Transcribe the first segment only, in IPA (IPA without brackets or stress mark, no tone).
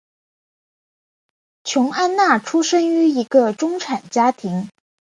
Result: t͡ɕʰ